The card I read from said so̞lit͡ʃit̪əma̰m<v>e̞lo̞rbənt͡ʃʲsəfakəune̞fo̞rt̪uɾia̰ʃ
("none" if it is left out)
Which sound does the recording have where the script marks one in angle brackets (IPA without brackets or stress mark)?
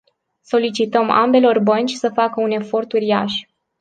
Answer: b